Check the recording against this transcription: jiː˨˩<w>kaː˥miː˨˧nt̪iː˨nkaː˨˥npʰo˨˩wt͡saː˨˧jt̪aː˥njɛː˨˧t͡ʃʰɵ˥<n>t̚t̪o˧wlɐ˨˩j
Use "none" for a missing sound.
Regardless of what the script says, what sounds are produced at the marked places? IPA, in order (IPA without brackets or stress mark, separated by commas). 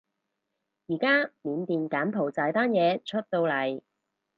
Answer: none, none